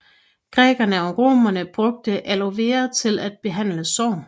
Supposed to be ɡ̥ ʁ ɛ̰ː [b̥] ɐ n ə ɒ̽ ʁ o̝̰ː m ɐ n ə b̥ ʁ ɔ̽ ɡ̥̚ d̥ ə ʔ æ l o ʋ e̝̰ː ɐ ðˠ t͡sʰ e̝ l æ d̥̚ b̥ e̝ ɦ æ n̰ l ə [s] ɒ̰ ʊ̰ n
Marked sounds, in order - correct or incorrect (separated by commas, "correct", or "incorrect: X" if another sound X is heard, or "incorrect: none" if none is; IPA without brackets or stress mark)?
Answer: incorrect: ɡ̥, correct